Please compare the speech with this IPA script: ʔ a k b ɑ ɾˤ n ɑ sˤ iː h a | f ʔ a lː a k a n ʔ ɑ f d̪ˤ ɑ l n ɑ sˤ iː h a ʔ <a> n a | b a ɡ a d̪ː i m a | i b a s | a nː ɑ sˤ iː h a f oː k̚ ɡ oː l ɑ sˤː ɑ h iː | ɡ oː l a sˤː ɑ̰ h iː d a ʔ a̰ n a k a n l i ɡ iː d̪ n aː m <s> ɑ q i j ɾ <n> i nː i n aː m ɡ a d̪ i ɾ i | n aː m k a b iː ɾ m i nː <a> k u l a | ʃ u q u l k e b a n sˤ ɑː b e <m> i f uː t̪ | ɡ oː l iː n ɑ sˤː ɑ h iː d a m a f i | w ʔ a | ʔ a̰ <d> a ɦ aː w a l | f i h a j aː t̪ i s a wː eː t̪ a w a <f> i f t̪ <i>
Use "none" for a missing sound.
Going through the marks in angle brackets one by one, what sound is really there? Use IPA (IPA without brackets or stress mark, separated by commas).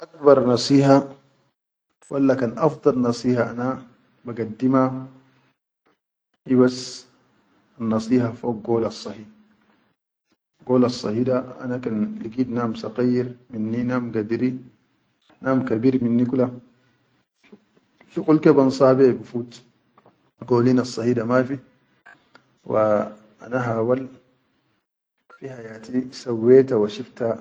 a, s, m, i, b, n, ʃ, a